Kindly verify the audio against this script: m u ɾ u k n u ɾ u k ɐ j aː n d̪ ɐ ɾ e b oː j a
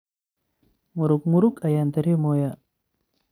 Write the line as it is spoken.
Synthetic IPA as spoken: m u ɾ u k m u ɾ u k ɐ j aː n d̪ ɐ ɾ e m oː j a